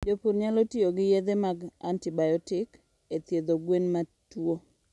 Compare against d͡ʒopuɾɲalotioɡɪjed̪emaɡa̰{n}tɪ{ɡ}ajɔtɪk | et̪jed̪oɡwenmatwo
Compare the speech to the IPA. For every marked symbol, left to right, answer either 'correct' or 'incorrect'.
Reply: correct, incorrect

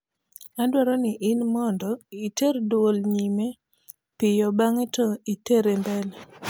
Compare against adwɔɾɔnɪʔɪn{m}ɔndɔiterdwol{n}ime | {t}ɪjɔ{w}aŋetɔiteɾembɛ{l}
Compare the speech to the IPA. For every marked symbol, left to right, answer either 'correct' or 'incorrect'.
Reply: correct, incorrect, incorrect, incorrect, correct

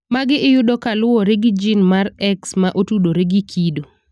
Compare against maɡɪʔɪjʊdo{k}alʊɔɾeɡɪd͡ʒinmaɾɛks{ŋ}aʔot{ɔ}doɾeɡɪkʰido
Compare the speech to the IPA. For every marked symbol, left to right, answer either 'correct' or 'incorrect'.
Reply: correct, incorrect, incorrect

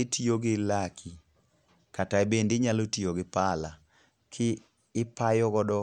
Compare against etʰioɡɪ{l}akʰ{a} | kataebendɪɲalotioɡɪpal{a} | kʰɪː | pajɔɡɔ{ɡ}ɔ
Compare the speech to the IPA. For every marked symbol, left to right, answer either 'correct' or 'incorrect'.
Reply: correct, incorrect, correct, incorrect

